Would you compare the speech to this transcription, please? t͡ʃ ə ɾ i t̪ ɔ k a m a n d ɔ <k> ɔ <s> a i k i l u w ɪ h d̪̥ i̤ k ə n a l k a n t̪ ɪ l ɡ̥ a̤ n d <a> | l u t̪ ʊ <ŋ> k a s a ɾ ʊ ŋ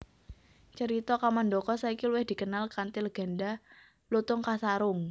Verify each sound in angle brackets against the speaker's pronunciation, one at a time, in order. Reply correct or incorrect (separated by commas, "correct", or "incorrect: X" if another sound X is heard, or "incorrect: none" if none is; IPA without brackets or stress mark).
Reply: correct, correct, correct, correct